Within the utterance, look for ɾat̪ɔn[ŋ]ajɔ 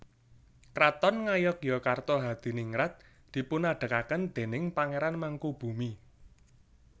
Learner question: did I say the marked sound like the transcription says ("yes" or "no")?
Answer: yes